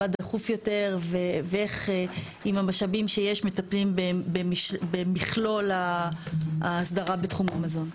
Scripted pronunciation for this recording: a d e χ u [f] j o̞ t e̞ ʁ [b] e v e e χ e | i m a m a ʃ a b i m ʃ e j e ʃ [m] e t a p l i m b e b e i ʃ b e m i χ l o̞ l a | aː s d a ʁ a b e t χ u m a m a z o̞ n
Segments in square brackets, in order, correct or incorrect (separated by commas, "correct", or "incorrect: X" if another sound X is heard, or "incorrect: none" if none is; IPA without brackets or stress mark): correct, incorrect: v, correct